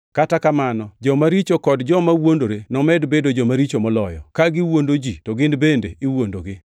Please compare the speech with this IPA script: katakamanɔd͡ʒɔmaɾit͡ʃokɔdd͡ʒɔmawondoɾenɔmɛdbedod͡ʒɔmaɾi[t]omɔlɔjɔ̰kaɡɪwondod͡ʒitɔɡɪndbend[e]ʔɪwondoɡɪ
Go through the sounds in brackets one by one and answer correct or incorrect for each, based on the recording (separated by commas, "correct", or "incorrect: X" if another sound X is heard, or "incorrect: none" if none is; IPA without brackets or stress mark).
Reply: incorrect: t͡ʃ, correct